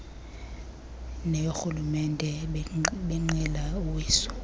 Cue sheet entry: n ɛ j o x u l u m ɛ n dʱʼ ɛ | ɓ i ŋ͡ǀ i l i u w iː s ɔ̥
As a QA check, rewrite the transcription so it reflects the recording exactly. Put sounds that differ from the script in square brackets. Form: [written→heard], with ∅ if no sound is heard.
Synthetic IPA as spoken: n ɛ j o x u l u m ɛ n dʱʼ ɛ | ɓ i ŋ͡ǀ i l [i→a] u w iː s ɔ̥